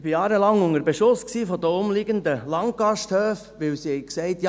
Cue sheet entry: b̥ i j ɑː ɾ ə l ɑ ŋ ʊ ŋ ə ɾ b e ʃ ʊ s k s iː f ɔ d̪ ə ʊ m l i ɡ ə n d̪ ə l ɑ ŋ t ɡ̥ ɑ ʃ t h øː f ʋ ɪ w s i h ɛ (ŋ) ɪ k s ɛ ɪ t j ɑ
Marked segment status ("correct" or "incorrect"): incorrect